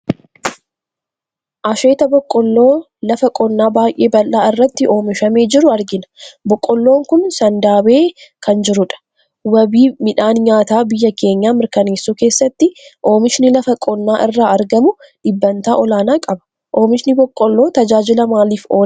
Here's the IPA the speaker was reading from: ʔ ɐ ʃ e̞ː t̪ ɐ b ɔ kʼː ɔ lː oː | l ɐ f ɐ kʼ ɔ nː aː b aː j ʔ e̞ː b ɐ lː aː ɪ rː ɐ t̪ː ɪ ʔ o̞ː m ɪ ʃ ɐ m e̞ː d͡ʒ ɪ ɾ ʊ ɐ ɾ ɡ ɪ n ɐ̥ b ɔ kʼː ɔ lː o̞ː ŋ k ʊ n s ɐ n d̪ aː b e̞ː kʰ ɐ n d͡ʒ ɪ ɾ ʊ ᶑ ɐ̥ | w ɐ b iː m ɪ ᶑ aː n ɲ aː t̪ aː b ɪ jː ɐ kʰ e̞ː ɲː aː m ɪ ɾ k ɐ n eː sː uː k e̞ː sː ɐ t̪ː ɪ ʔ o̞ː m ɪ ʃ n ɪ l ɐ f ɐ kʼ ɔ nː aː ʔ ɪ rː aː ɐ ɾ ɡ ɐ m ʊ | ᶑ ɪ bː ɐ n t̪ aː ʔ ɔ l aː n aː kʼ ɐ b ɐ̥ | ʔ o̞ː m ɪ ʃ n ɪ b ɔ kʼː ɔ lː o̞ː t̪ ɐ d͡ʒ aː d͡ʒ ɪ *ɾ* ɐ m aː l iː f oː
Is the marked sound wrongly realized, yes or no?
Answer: yes